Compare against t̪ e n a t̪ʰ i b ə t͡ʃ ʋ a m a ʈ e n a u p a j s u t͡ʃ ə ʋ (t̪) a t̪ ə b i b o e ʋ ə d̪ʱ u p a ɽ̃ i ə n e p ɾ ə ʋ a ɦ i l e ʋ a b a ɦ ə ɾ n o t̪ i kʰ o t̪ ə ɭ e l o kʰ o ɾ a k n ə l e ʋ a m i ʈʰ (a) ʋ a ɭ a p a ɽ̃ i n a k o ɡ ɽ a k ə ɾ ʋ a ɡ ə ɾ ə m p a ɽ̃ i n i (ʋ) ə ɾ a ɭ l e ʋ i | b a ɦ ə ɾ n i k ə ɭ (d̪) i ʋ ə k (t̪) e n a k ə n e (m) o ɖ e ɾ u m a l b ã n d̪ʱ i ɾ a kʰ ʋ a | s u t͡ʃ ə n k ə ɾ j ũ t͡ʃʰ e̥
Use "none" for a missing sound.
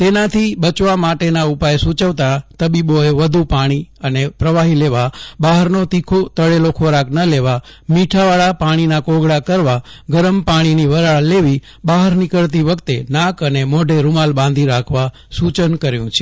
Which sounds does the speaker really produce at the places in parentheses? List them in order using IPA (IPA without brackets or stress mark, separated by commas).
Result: t̪, a, ʋ, t̪, t̪, m